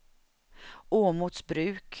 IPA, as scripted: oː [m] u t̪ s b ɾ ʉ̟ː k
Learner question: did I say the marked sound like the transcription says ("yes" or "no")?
yes